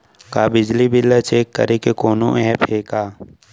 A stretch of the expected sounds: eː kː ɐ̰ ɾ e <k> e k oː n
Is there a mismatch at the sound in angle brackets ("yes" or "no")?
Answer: no